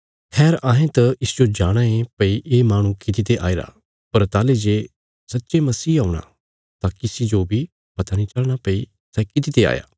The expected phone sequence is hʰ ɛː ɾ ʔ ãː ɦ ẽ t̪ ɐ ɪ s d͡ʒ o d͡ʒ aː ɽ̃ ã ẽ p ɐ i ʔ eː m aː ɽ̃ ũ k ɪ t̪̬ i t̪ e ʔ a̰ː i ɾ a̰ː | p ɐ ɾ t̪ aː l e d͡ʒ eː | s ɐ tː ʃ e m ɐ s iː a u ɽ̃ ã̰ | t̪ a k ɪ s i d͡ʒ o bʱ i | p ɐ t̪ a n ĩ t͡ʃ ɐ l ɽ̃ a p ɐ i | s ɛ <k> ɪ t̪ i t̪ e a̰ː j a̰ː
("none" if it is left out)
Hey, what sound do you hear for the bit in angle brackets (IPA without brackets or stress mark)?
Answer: k